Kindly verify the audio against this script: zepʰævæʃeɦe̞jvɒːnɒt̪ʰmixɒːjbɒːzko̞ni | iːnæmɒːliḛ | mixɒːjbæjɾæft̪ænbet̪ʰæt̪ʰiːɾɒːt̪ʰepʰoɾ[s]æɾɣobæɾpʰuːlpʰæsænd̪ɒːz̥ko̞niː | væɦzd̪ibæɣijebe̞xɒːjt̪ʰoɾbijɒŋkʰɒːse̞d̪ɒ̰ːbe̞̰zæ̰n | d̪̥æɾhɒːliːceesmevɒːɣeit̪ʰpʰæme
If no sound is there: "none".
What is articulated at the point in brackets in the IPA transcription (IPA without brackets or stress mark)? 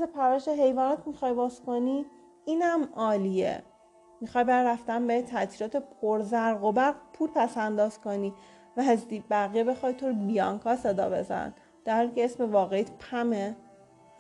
z